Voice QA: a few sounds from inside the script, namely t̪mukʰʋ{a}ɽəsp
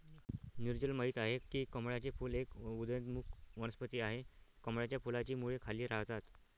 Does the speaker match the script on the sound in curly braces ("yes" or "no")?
no